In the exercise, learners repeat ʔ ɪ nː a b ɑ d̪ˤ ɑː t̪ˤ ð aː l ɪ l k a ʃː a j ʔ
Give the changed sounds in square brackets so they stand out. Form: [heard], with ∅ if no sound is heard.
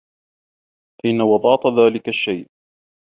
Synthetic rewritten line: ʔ ɪ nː a [w] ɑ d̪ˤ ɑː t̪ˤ ð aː l ɪ [∅] k a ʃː a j ʔ